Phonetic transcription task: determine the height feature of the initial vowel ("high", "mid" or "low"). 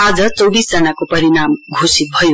low